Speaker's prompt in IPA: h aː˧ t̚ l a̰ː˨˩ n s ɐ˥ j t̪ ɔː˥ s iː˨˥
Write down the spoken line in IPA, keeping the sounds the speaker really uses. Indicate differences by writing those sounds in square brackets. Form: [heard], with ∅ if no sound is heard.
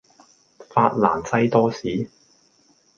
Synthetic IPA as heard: [f] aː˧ t̚ l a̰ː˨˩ n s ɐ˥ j t̪ ɔː˥ s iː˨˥